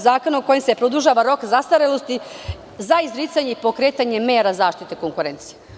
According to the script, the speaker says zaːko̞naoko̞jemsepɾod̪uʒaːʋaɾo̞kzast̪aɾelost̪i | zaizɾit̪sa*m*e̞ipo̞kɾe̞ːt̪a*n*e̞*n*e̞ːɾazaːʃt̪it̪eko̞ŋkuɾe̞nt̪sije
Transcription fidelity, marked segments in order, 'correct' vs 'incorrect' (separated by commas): incorrect, incorrect, incorrect